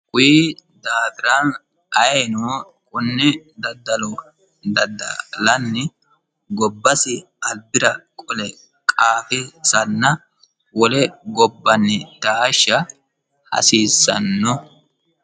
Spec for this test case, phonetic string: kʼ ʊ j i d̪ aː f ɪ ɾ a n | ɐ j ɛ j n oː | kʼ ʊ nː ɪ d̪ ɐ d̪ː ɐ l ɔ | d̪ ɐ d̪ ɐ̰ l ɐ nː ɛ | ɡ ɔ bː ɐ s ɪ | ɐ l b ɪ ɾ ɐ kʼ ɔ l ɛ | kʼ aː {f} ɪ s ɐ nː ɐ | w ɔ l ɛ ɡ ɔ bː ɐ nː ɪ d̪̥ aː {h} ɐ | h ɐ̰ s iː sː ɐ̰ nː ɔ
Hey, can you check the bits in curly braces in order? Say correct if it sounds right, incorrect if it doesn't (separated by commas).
correct, incorrect